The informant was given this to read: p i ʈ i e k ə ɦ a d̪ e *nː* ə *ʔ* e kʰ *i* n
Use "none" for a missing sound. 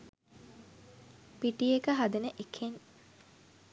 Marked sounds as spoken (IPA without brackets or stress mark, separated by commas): n, ʔ, e